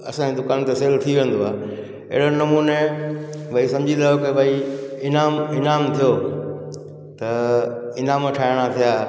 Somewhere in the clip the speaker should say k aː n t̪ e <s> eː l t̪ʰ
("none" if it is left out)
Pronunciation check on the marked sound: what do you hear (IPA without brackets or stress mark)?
s